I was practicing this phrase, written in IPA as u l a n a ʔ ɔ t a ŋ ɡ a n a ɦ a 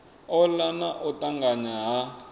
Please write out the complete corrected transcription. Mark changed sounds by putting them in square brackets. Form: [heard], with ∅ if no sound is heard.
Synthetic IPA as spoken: [ɔ] l a n a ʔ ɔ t a ŋ ɡ a [ɲ] a ɦ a